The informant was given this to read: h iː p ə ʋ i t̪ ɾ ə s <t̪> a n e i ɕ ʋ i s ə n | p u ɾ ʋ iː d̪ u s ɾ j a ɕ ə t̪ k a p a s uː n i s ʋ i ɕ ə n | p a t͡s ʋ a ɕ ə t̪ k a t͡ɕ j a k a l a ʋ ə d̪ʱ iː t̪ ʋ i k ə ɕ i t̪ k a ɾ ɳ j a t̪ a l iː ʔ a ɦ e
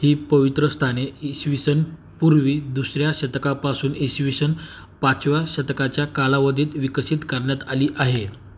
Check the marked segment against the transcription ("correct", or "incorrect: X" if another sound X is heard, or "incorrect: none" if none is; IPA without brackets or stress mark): incorrect: t̪ʰ